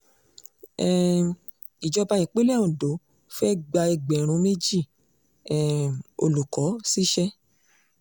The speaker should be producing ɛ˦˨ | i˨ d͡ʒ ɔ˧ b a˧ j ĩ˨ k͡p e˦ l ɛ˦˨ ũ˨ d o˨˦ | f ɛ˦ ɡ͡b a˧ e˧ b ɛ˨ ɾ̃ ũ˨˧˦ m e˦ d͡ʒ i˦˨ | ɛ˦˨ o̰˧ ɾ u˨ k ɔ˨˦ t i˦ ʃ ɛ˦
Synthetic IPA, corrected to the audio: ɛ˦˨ | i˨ d͡ʒ ɔ˧ b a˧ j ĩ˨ k͡p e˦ l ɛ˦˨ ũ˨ d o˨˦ | f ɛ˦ ɡ͡b a˧ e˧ ɡ͡b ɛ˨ ɾ̃ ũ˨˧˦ m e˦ d͡ʒ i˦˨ | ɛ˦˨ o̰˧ l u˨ k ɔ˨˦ s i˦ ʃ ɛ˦

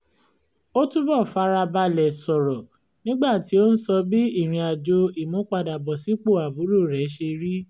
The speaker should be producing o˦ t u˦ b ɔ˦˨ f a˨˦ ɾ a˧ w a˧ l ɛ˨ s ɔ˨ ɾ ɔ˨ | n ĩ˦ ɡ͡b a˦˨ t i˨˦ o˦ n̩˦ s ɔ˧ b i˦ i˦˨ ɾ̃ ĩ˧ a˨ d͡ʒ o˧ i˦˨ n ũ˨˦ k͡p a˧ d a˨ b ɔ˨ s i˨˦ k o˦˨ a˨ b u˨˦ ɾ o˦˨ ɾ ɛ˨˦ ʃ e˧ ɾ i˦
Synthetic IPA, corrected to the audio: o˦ t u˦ b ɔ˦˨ f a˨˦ ɾ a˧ b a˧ l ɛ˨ s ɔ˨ ɾ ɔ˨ | n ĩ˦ ɡ͡b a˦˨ t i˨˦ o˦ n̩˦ s ɔ˧ b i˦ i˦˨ ɾ̃ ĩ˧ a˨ d͡ʒ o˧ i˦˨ m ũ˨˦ k͡p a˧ d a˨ b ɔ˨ s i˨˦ k͡p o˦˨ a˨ b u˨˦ ɾ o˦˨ ɾ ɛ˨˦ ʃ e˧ ɾ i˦

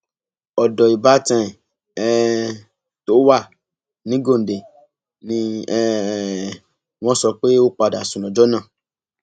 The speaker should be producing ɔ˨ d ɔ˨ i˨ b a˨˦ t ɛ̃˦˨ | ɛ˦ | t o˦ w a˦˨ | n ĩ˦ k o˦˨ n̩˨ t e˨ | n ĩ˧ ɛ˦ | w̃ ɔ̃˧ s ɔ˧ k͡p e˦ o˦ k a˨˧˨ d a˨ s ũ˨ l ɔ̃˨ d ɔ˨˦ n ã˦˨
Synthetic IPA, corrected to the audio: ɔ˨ d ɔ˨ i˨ b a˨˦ t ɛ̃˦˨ | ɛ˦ | t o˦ w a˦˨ | n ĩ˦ ɡ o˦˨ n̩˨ d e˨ | n ĩ˧ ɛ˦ | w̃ ɔ̃˧ s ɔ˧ k͡p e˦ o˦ k͡p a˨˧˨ d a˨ s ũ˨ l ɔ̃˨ d͡ʒ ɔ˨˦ n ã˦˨

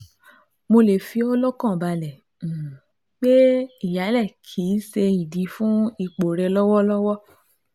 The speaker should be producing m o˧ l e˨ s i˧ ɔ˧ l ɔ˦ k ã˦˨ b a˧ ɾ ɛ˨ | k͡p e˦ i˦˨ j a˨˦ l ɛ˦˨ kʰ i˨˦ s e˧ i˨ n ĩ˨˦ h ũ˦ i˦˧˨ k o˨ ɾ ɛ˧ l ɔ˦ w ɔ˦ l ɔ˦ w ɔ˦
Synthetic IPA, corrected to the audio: m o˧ l e˨ f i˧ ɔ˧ l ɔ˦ k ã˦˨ b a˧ l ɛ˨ | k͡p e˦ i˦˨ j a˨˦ l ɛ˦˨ kʰ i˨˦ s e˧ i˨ d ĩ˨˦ f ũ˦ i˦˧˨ k͡p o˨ ɾ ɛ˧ l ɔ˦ w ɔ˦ l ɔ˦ w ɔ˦

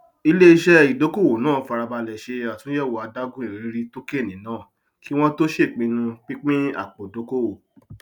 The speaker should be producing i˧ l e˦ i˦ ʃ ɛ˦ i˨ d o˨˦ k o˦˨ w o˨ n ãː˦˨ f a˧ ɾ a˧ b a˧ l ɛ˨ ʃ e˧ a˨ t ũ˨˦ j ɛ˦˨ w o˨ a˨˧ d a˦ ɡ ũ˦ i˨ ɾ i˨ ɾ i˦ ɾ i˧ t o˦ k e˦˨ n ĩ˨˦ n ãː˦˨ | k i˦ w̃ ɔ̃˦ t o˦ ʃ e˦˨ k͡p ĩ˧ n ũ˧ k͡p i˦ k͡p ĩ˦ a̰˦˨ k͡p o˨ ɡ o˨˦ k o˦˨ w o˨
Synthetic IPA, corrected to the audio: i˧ l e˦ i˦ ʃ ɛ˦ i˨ d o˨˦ k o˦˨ w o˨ n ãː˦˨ f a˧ ɾ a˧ b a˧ l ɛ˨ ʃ e˧ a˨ t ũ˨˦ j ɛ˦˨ w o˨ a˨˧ d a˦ ɡ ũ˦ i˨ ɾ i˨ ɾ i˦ ɾ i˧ t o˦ k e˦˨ n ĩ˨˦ n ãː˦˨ | k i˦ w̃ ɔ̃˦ t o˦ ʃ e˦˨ k͡p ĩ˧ n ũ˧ k͡p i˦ k͡p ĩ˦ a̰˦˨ k͡p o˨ d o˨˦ k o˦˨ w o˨

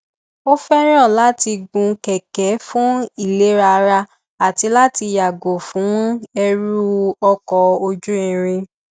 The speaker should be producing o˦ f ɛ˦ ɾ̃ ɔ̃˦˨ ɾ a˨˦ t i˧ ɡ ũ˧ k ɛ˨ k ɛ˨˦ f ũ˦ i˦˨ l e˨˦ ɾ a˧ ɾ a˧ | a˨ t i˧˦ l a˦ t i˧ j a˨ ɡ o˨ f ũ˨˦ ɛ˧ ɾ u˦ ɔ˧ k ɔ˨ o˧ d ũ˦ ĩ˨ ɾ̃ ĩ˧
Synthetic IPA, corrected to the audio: o˦ f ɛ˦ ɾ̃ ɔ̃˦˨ l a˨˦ t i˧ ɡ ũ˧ k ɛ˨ k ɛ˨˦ f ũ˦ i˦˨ l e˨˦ ɾ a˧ ɾ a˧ | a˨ t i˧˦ l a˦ t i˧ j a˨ ɡ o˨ f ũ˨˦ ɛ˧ ɾ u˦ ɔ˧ k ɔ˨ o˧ d͡ʒ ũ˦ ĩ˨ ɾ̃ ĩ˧

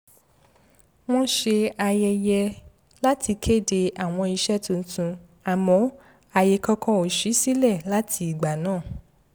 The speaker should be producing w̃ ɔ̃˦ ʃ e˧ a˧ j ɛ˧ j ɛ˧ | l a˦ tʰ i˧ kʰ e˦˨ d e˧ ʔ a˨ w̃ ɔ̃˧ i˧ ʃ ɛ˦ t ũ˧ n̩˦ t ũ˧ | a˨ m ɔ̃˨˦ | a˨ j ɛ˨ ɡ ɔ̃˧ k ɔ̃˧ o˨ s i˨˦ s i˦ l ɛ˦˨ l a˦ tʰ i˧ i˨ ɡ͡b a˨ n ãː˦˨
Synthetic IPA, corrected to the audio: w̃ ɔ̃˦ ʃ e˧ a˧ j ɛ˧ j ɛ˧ | l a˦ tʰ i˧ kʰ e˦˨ d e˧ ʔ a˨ w̃ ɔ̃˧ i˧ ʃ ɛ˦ t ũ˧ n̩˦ t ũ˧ | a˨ m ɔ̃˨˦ | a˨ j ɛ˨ k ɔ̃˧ k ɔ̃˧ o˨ ʃ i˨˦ s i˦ l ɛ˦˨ l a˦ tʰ i˧ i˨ ɡ͡b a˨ n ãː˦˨

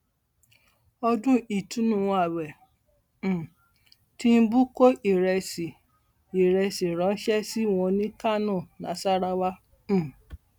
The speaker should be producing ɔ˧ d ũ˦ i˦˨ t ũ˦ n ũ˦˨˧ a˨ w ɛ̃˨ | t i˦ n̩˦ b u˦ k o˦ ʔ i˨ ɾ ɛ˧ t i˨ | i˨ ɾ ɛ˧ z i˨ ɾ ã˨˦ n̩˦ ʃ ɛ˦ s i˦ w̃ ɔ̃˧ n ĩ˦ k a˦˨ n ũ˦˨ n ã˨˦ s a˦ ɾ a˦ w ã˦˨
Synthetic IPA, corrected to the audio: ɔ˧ d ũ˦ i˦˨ t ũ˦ n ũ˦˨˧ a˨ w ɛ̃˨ | t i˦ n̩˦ b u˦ k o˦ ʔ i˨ ɾ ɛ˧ s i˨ | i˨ ɾ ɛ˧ s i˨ ɾ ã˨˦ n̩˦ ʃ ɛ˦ s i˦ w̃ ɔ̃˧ n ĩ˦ k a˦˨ n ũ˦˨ n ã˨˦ s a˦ ɾ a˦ w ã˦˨

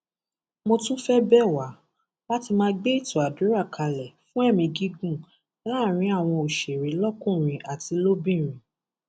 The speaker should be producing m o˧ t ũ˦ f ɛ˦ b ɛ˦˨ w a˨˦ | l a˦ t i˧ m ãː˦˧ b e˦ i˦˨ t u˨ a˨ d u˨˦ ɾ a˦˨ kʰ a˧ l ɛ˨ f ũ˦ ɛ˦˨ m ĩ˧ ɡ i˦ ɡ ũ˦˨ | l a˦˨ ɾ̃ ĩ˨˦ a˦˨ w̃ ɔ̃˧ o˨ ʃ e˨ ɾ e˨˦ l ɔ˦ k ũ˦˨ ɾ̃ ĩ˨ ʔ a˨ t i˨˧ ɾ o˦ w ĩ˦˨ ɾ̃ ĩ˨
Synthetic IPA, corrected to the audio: m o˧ t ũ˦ f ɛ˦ b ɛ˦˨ w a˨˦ | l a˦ t i˧ m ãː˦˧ ɡ͡b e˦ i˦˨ t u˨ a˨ d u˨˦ ɾ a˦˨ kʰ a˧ l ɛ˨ f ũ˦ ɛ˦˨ m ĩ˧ ɡ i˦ ɡ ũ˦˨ | l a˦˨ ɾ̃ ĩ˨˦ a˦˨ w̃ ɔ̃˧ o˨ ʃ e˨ ɾ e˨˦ l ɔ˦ k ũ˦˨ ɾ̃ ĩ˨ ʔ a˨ t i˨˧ l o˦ b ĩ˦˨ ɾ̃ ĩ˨

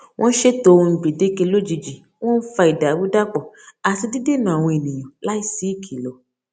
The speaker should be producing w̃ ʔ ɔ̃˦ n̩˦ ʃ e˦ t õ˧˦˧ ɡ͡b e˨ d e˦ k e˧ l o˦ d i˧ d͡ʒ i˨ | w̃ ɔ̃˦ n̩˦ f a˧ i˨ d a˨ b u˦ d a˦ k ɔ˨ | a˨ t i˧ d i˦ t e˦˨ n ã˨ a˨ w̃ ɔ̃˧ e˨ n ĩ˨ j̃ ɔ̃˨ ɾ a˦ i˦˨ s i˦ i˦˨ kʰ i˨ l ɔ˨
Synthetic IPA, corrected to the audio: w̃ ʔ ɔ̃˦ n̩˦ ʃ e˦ t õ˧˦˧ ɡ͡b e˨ d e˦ k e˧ l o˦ d͡ʒ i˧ d͡ʒ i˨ | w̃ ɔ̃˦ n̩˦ f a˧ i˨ d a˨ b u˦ d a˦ k͡p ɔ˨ | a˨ t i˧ d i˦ d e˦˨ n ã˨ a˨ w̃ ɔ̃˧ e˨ n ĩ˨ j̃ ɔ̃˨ l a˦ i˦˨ s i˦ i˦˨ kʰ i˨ l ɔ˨

